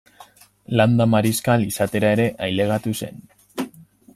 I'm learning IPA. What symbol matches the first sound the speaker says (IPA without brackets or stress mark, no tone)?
l